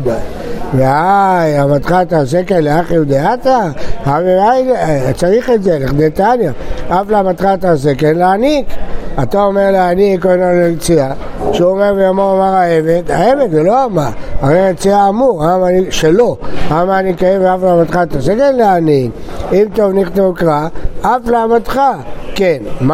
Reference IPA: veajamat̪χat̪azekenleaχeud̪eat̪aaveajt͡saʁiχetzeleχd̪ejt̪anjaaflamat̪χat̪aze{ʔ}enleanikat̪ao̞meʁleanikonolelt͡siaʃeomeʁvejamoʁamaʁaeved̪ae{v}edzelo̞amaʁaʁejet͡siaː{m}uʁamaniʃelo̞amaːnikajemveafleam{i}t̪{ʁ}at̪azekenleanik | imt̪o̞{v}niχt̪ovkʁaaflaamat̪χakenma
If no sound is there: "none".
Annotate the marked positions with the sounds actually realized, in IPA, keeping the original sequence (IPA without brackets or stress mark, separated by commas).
k, v, m, a, χ, v